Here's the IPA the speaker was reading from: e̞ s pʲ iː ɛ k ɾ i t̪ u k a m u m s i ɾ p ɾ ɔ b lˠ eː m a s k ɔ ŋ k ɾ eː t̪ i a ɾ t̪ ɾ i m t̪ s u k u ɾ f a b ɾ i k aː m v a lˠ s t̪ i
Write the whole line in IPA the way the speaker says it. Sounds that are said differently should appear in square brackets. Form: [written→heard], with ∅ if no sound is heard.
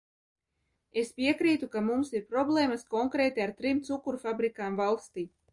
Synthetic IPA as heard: e̞ s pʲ [iː→i] ɛ k ɾ [i→iː] t̪ u k a m u m s i ɾ p ɾ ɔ b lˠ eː m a s k ɔ ŋ k ɾ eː t̪ i a ɾ t̪ ɾ i m t̪ s u k u ɾ f a b ɾ i k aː m v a lˠ s t̪ [i→iː]

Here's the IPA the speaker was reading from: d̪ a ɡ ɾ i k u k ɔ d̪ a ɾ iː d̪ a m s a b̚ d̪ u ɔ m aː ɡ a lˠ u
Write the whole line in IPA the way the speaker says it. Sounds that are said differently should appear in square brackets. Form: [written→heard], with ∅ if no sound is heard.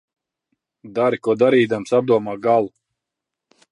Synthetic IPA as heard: d̪ a [ɡ→∅] ɾ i k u [k→∅] ɔ d̪ a ɾ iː d̪ a m s a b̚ d̪ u ɔ m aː ɡ a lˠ u

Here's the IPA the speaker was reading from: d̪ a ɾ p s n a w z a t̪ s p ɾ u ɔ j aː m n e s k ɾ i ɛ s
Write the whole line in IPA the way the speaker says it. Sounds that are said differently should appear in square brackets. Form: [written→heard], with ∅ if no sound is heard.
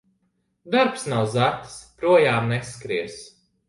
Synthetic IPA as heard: d̪ a ɾ p s n a w z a t̪ s p ɾ u ɔ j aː m n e s k ɾ i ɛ s

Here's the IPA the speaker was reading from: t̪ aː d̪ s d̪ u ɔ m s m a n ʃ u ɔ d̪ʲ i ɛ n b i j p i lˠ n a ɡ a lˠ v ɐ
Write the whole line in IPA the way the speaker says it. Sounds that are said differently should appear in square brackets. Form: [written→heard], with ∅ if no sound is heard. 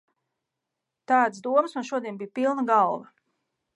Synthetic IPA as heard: t̪ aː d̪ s d̪ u ɔ m s m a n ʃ u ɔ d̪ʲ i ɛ n b i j p i lˠ n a ɡ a lˠ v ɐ

